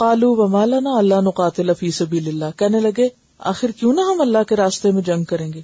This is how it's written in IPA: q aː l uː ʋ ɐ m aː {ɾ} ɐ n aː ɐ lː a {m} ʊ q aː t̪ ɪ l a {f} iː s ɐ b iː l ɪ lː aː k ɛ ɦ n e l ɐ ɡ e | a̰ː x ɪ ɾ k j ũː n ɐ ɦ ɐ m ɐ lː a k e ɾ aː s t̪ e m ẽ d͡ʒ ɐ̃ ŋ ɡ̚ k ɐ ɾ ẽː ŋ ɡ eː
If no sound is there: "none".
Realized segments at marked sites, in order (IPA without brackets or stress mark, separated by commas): l, n, f